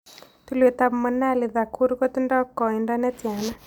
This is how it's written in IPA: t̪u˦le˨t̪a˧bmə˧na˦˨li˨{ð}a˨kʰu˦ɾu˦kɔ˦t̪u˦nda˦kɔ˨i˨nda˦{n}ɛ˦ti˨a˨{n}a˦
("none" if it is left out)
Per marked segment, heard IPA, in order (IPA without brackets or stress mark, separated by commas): ð, n, n